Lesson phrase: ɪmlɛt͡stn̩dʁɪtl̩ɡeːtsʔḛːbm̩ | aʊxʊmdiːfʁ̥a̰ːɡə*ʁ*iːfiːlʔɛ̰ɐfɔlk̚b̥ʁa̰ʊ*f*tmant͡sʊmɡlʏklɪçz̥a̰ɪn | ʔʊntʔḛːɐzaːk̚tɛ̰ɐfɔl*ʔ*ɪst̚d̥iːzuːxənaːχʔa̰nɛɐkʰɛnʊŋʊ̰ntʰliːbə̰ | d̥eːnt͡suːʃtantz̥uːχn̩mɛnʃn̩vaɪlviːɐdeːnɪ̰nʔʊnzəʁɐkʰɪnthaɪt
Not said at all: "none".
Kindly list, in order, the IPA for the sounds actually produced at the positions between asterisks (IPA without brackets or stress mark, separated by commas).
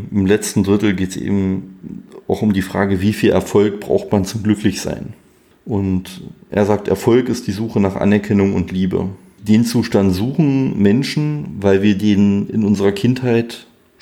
v, x, k